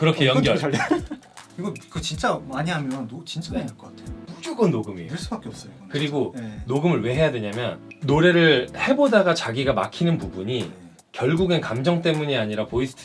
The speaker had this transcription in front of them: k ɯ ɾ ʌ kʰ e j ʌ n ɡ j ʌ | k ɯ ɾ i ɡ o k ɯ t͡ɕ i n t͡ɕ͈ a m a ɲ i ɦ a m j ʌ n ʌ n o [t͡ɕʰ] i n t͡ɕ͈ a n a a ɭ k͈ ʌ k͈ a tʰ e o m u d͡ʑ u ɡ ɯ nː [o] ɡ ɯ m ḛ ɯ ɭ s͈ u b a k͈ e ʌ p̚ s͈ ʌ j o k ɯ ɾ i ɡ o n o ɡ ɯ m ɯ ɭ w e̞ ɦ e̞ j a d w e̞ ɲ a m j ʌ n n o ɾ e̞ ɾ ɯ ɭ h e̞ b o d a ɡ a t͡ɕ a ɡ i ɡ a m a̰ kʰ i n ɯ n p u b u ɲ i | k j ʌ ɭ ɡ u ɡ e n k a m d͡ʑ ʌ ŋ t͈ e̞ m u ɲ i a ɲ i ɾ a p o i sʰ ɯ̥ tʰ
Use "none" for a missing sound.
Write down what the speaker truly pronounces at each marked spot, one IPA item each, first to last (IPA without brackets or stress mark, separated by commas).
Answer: t͡ɕ, o